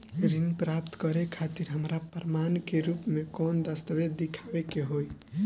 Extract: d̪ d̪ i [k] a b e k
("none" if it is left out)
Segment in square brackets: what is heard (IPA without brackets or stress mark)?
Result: kʰ